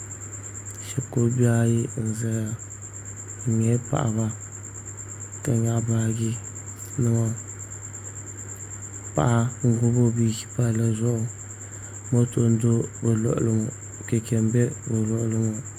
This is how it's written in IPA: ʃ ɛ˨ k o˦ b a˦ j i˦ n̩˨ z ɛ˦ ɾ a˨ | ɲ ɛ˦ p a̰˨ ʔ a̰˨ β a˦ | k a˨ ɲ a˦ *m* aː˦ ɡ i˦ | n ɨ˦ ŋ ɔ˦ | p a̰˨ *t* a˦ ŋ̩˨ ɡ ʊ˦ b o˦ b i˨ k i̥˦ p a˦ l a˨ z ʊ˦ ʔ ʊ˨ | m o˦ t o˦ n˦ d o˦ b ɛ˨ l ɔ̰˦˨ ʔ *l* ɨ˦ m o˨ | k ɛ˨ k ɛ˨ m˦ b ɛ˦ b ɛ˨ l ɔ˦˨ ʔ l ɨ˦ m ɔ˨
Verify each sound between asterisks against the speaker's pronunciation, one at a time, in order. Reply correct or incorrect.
incorrect, incorrect, correct

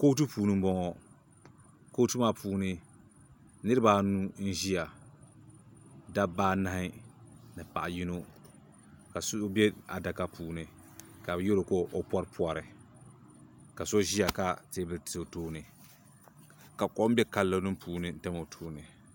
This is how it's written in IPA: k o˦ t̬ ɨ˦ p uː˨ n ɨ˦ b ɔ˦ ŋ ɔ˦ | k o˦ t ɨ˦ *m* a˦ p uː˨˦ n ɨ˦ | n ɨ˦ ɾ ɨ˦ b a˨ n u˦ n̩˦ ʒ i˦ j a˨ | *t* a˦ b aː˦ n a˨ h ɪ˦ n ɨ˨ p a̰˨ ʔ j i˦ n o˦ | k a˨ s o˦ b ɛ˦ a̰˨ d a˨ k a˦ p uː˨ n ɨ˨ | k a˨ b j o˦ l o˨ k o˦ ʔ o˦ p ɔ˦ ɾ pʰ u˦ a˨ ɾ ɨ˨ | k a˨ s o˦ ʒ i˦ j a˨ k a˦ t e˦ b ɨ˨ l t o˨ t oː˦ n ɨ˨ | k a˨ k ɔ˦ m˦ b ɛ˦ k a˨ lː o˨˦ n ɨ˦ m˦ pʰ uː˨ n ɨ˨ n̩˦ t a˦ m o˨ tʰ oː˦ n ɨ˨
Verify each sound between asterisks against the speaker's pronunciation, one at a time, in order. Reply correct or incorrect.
correct, incorrect

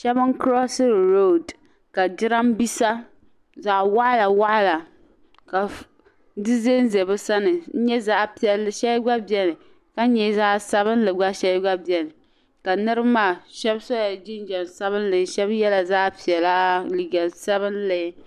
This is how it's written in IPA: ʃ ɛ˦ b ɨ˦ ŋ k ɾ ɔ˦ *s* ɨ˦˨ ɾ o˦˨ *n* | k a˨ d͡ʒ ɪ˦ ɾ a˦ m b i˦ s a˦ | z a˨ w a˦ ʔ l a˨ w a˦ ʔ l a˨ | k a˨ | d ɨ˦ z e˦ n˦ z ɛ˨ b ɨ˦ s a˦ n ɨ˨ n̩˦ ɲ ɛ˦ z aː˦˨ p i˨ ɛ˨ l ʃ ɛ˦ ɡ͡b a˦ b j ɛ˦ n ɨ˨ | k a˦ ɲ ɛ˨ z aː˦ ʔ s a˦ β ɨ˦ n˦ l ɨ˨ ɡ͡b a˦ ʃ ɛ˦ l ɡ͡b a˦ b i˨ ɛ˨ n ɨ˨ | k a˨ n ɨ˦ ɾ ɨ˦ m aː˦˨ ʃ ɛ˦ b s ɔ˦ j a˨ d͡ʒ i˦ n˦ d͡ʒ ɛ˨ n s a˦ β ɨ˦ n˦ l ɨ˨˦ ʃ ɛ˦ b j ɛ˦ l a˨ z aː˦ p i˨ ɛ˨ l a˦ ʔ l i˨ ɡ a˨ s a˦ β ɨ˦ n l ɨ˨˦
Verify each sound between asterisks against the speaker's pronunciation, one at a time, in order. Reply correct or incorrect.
correct, incorrect

